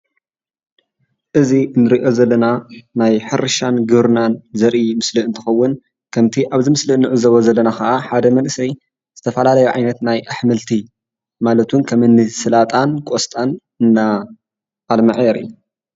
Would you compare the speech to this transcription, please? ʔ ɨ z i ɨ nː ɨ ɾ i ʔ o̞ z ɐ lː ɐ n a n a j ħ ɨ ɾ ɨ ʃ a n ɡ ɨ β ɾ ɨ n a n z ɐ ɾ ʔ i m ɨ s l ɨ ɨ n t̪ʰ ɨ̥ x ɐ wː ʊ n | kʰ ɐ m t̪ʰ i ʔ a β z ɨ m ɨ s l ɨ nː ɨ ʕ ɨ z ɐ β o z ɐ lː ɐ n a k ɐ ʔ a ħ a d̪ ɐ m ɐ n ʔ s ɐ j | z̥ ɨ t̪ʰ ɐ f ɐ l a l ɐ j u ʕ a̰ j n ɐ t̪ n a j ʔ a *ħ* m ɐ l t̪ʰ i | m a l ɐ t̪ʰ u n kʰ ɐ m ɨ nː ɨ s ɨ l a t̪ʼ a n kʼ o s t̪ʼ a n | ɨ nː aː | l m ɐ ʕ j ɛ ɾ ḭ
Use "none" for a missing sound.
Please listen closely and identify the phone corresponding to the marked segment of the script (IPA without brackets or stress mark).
ħ